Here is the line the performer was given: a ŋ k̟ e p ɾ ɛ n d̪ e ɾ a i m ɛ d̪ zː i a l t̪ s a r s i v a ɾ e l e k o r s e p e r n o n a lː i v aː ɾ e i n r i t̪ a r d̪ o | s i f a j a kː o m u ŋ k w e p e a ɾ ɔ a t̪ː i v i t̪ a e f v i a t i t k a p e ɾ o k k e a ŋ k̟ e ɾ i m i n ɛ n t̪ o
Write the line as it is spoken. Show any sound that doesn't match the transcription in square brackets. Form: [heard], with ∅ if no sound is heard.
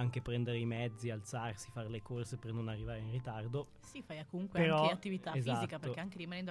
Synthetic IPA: a ŋ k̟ e p ɾ ɛ n d̪ e ɾ [e] i m ɛ d̪ zː i a l t̪ s a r s i [f] a ɾ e l e k o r s e p e r n o n a [rː] i v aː ɾ e i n r i t̪ a r d̪ o | s i f a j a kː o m u ŋ k w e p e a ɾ ɔ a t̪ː i v i t̪ a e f [z] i a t i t k a p e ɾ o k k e a ŋ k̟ e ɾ i m [a] n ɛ n [d̪] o